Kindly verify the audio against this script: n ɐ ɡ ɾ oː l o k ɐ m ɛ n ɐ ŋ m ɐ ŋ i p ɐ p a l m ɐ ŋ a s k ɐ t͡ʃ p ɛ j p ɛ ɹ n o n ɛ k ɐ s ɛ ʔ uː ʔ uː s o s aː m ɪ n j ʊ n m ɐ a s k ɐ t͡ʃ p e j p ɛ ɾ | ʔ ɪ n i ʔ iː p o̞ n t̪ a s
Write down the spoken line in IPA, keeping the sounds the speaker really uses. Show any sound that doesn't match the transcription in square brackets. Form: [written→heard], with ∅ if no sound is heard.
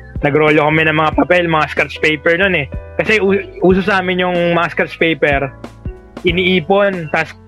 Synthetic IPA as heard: n ɐ ɡ ɾ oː l o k ɐ m ɛ n ɐ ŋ m ɐ ŋ [i→a] p ɐ p [a→ɛ] l m ɐ ŋ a s k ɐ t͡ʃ p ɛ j p ɛ ɹ n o n ɛ k ɐ s ɛ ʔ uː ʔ uː s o s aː m ɪ n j ʊ [n→ŋ] m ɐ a s k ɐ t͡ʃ p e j p ɛ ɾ | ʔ ɪ n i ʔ iː p o̞ n t̪ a s